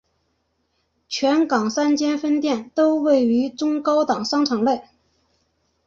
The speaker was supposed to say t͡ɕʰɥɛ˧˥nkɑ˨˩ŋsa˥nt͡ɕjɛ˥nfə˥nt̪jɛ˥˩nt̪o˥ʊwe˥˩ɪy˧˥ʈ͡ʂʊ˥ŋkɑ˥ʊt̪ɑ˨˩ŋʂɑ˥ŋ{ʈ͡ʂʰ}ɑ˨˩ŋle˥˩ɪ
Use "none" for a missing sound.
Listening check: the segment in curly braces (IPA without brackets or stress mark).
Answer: ʈ͡ʂʰ